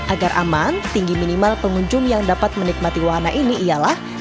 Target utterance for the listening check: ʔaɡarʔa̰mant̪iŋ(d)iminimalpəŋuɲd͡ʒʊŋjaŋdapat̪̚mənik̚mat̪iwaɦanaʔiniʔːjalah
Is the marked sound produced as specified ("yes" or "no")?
no